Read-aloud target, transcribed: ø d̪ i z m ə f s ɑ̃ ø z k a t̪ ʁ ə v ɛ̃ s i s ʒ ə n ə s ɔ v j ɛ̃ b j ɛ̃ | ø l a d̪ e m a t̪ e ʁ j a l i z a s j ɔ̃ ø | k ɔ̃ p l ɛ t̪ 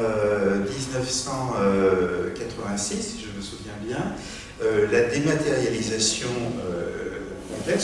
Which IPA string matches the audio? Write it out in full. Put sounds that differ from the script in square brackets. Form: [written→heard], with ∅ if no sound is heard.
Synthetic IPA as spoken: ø d̪ i z [m→n] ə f s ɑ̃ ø [z→∅] k a t̪ [ʁ→χ] ə v ɛ̃ s i s ʒ ə [n→m] ə s [ɔ→u] v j ɛ̃ b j ɛ̃ | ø l a d̪ e m a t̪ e ʁ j a l i z a s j ɔ̃ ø | k ɔ̃ p l ɛ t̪